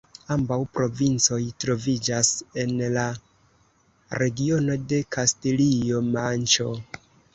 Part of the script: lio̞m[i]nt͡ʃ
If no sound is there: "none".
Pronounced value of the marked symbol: a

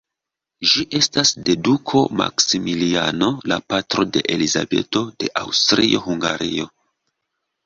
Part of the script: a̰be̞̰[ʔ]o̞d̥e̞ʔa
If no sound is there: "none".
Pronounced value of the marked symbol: t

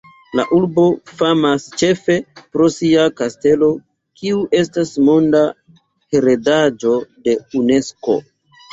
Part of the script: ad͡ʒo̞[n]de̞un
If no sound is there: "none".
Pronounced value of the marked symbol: none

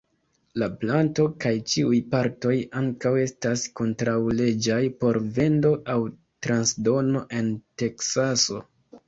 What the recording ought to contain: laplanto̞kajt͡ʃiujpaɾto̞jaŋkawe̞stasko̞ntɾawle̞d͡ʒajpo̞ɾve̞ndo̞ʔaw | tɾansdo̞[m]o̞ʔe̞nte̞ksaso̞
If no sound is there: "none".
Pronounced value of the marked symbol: n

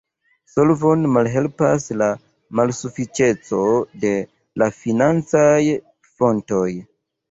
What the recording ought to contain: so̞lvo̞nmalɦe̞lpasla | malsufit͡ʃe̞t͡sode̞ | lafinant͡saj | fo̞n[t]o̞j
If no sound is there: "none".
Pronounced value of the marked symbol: t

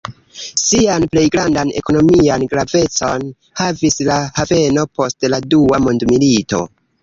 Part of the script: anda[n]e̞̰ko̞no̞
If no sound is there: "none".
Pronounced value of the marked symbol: n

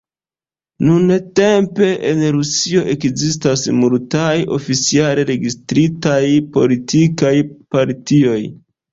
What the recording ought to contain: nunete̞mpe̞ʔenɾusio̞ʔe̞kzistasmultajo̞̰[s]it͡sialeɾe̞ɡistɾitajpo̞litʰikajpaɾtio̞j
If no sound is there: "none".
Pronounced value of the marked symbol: f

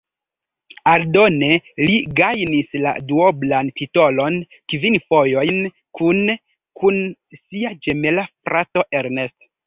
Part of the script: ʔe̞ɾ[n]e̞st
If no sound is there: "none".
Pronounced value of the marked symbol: n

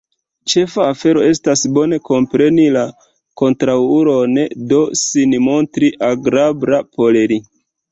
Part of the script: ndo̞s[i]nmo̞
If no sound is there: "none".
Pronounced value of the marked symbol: i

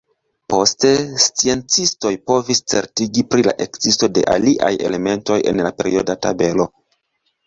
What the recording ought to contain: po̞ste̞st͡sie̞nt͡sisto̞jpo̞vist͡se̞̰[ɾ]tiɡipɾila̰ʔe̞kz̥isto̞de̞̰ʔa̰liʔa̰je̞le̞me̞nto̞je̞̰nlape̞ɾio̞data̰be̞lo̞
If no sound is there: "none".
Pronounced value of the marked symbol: ɾ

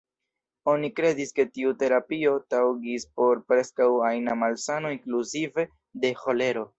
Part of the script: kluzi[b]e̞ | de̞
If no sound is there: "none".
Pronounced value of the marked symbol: v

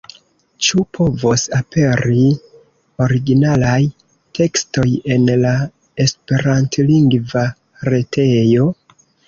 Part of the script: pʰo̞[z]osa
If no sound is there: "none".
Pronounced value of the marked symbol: v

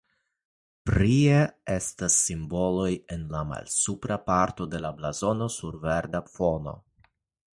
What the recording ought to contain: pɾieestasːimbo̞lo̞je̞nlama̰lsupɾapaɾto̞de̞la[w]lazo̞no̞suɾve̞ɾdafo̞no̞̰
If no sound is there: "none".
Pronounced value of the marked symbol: b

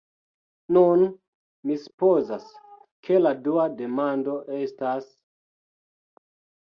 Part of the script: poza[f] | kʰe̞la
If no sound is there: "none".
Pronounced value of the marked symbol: s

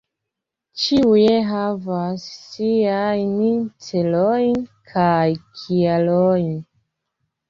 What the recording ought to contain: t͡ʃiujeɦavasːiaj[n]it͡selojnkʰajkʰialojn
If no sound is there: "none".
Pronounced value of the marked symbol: n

